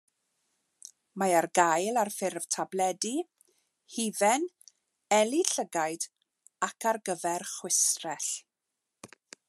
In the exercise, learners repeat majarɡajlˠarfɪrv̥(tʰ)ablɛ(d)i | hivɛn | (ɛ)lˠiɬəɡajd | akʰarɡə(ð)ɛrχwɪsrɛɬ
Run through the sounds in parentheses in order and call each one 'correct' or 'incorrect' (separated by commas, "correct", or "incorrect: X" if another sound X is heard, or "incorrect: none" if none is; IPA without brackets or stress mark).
correct, correct, correct, incorrect: v